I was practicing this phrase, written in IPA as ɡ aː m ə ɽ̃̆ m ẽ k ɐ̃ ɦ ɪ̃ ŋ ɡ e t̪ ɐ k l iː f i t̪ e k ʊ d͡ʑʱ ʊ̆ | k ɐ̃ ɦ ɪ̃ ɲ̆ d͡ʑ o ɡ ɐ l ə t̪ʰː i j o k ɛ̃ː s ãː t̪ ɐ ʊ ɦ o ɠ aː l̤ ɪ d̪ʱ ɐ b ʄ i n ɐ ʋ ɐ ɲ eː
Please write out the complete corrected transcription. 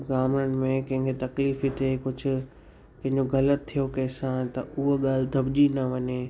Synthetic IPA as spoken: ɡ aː m ə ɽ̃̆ m ẽ k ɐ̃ ɦ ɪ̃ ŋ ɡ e t̪ ɐ k l iː f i t̪ e k ʊ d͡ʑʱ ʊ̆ | k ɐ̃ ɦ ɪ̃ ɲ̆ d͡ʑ o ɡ ɐ l ə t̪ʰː i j o k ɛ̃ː s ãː t̪ ɐ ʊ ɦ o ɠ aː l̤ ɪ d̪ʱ ɐ b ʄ i n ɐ ʋ ɐ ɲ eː